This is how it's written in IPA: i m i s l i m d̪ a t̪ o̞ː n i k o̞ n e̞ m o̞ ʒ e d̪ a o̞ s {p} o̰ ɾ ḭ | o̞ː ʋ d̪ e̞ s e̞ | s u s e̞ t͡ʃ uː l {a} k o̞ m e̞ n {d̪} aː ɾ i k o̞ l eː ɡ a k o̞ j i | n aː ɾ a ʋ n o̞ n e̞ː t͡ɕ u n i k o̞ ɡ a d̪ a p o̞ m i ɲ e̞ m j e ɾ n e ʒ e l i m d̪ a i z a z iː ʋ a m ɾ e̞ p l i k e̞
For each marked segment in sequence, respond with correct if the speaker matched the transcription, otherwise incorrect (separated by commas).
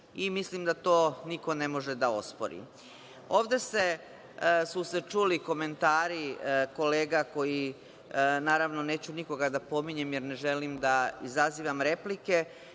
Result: correct, incorrect, incorrect